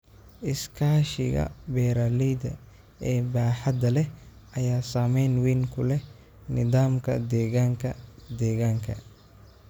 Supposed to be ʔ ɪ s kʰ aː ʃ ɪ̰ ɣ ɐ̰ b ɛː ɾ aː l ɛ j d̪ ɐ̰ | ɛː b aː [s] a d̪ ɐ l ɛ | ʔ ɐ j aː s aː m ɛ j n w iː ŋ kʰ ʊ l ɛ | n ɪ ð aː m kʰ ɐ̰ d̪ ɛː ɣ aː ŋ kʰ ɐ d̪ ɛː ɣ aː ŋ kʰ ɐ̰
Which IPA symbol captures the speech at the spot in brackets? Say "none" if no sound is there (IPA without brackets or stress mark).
ħ